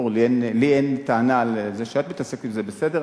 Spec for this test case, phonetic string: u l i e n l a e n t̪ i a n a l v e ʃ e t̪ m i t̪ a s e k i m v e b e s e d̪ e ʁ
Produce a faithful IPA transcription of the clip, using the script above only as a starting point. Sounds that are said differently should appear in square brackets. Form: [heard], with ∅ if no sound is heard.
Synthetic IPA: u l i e n l [i] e n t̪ [a] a n a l [z] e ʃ [a] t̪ m i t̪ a s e k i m [z] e b e s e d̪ e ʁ